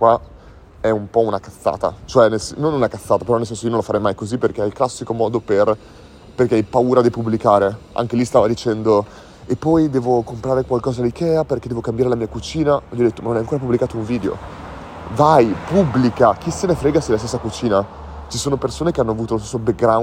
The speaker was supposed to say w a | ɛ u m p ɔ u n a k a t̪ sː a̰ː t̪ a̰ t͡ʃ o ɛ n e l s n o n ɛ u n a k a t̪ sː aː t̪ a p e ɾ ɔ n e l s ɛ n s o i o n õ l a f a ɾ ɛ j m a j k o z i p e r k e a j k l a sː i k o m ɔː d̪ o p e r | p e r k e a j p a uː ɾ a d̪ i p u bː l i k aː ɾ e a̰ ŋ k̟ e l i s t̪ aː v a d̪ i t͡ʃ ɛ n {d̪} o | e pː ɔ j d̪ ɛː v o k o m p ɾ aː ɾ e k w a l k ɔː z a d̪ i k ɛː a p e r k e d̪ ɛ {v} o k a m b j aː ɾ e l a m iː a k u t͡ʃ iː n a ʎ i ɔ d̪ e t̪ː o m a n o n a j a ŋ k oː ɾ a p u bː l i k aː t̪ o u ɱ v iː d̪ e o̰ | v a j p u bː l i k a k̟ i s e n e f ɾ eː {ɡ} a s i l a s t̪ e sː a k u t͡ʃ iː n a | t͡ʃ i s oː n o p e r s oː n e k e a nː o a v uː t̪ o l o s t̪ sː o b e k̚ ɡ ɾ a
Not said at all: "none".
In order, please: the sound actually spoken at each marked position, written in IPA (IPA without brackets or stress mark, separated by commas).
d̪, v, ɡ